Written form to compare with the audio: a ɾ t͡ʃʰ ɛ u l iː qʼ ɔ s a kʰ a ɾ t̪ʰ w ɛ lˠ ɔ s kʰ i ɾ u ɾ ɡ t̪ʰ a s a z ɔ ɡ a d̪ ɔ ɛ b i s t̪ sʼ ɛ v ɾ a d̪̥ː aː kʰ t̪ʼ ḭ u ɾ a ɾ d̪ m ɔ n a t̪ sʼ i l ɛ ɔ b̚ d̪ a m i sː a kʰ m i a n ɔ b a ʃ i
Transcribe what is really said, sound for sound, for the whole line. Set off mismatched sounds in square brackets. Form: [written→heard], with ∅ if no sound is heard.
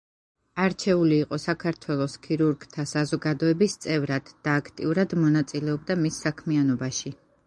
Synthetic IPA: a ɾ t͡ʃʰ ɛ u l iː qʼ ɔ s a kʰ a ɾ t̪ʰ w ɛ lˠ ɔ s kʰ i ɾ u ɾ ɡ t̪ʰ a s a z ɔ ɡ a d̪ ɔ ɛ b i s t̪ sʼ ɛ v ɾ a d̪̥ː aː kʰ t̪ʼ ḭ u ɾ a [ɾ→∅] d̪ m ɔ n a t̪ sʼ i l ɛ ɔ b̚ d̪ a m i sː a kʰ m i a n ɔ b a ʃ i